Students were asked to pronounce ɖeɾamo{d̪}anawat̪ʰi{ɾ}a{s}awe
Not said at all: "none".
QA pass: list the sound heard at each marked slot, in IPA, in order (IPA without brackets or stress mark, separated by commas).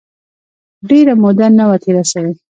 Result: d̪, ɾ, s